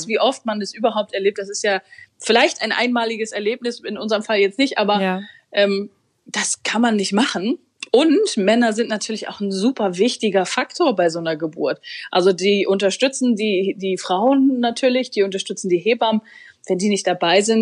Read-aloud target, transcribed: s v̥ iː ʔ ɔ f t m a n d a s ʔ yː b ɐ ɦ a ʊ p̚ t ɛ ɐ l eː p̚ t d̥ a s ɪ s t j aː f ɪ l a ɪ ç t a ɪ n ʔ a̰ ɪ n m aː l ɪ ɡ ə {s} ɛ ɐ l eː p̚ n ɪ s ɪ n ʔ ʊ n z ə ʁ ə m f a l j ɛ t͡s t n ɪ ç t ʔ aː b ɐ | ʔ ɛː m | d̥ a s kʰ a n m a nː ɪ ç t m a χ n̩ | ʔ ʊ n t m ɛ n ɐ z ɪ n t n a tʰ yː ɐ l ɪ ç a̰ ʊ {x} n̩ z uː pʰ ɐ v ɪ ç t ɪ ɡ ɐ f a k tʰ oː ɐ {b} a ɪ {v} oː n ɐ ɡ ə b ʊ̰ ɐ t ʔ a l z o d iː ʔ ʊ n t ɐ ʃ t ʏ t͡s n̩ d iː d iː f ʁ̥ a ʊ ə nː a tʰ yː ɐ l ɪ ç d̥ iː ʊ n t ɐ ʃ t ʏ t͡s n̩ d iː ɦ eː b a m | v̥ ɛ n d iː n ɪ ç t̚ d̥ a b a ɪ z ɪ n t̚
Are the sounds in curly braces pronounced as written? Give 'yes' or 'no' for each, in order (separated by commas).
yes, yes, yes, no